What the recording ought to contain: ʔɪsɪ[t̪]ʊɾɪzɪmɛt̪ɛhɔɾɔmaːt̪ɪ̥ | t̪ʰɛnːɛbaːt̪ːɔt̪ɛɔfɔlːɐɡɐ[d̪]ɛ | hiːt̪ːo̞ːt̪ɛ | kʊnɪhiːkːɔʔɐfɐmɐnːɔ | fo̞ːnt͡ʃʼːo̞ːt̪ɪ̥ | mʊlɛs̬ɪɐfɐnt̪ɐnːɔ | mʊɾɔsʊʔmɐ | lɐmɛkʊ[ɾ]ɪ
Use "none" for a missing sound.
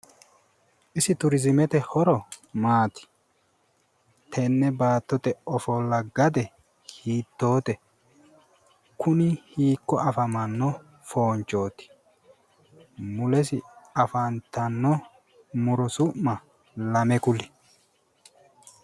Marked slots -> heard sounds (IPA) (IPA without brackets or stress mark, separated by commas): t̪, d̪, l